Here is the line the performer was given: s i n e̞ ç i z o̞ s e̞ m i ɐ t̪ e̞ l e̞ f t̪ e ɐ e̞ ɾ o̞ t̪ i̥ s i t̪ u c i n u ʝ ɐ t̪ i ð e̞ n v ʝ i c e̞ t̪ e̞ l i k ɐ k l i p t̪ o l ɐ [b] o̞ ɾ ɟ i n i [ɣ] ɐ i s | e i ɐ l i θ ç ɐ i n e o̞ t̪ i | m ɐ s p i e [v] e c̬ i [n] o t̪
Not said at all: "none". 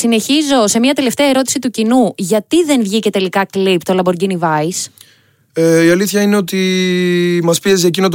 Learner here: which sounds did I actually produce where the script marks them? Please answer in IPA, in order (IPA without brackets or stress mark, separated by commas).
b, v, z, n